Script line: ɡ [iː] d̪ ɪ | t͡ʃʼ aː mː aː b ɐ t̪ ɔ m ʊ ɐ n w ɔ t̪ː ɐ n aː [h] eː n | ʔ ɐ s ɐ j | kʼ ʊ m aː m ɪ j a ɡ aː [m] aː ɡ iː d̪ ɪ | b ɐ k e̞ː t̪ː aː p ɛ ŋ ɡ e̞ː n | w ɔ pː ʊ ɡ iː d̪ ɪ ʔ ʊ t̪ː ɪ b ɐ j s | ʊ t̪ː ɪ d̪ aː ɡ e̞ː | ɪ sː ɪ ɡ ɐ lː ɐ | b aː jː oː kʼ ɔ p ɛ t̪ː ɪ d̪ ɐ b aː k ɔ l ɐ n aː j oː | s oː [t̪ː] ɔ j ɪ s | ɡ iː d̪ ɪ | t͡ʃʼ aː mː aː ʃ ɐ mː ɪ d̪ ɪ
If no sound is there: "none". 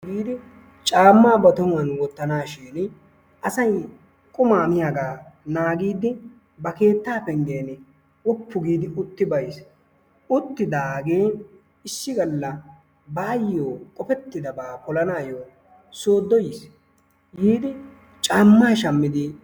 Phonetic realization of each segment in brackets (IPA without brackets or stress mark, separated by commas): iː, ʃ, n, d̪ː